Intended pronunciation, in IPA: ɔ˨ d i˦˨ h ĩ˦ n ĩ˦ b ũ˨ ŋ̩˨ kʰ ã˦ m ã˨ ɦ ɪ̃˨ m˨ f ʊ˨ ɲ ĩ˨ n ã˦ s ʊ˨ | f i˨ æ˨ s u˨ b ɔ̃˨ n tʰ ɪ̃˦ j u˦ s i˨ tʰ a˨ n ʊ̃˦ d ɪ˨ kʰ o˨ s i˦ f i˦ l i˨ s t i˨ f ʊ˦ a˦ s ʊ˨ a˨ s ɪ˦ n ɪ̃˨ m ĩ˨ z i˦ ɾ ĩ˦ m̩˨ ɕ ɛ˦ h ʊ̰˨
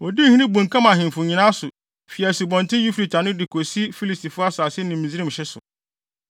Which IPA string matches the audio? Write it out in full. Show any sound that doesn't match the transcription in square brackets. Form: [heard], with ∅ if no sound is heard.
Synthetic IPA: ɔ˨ d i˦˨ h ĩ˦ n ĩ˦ b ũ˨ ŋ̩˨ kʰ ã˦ m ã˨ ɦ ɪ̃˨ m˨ f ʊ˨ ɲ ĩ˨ n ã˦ s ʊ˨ | f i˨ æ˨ s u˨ b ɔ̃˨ n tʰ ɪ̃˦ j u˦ [f] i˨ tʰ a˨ n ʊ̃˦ d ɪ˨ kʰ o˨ s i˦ f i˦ l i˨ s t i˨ f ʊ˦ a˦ s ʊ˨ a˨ s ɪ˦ n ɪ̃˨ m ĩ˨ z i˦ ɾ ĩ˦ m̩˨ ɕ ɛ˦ [s] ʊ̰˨